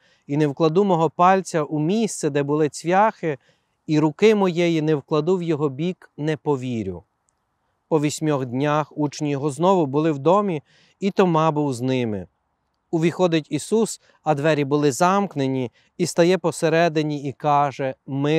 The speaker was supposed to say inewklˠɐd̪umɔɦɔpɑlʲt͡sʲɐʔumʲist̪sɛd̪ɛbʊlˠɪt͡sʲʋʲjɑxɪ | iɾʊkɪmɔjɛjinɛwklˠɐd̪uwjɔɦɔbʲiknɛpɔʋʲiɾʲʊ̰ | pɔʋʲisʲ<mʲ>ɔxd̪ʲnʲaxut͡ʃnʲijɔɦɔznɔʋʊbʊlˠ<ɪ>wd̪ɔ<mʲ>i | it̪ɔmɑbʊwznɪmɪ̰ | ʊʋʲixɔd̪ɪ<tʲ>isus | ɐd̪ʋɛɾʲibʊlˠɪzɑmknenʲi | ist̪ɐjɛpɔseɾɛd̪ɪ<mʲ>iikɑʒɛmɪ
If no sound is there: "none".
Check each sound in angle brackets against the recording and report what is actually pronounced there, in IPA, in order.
mʲ, ɪ, mʲ, tʲ, nʲ

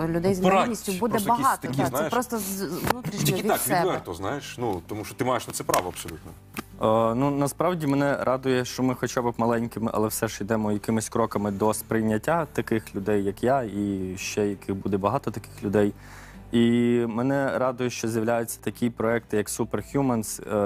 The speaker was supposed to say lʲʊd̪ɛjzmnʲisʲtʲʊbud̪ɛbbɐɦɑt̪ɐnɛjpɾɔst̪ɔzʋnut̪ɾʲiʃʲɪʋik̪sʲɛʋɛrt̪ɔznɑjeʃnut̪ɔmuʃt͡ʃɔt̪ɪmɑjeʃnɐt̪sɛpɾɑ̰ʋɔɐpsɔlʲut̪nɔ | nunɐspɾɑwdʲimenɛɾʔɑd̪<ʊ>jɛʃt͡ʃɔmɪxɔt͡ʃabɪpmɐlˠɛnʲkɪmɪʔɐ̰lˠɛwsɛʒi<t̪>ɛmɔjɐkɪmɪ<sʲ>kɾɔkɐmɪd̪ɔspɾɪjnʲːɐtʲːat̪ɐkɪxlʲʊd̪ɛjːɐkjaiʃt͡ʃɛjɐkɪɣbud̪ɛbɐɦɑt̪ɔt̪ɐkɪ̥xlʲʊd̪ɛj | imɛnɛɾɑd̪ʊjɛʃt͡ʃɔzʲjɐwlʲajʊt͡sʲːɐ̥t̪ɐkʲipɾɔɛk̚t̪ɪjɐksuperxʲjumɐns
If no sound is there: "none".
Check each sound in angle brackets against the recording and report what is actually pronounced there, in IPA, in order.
ʊ, d̪, sʲ

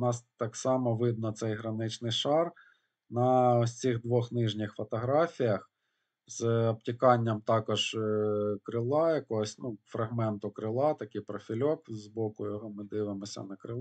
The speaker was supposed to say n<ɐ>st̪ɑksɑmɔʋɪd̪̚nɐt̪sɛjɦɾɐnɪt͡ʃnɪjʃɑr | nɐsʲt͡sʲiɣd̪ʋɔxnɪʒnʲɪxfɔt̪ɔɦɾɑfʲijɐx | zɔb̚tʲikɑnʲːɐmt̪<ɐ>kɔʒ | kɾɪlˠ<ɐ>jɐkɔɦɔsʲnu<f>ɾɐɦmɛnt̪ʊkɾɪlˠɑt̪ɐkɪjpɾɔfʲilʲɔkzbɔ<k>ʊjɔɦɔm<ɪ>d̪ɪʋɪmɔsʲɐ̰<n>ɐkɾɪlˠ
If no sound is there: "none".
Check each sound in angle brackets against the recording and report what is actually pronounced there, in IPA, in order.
ɑ, ɑ, ɑ, f, k, ɪ, n

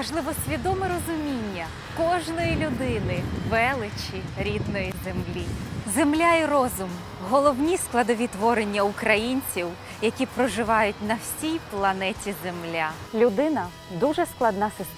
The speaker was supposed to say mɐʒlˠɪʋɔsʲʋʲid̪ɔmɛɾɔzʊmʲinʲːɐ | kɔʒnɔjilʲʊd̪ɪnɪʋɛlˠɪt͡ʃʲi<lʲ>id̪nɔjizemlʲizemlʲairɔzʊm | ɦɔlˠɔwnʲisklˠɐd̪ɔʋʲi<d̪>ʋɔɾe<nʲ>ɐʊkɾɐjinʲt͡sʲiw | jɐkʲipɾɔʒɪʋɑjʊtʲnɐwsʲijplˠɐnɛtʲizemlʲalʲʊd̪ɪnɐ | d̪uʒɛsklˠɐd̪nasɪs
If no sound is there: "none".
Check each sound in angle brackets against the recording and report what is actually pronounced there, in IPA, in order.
ɾʲ, t̪, nʲː

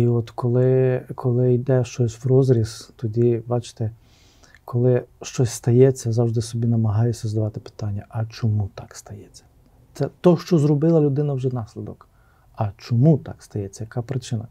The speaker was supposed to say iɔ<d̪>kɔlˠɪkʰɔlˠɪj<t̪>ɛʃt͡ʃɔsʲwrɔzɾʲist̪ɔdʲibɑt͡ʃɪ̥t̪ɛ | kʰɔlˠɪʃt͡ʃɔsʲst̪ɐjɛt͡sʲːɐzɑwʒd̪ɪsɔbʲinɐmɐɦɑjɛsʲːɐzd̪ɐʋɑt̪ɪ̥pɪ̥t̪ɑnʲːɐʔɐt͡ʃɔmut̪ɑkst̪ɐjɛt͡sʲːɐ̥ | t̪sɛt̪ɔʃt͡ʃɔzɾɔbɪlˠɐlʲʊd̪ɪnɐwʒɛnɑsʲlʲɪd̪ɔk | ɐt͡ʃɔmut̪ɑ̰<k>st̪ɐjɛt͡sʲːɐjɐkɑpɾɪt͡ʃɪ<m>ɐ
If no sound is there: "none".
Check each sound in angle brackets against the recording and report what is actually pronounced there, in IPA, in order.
t̪, d̪, k, n

